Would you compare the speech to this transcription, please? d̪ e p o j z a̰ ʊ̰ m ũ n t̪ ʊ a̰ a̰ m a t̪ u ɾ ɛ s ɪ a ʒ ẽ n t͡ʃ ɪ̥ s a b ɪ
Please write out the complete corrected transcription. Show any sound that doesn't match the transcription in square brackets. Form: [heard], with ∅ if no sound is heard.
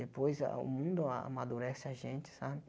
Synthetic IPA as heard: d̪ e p o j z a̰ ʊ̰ m ũ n [d̪] ʊ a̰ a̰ m a [d̪] u ɾ ɛ s ɪ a ʒ ẽ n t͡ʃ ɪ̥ s a b ɪ